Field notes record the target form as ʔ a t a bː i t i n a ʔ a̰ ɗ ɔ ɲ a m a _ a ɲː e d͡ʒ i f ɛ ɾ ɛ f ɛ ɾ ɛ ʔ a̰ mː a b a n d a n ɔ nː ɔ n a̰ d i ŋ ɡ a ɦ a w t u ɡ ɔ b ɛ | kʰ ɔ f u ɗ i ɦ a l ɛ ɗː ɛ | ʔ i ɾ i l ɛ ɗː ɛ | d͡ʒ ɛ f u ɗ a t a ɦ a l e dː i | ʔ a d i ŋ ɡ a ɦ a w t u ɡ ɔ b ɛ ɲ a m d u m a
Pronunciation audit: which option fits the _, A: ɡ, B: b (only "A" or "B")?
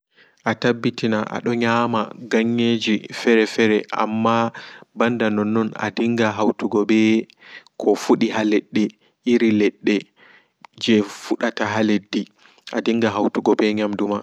A